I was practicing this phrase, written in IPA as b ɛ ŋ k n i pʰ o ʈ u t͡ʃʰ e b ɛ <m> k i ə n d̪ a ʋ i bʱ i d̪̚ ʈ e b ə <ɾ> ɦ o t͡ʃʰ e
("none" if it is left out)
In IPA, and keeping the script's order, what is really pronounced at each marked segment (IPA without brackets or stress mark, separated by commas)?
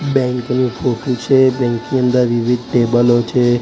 ŋ, l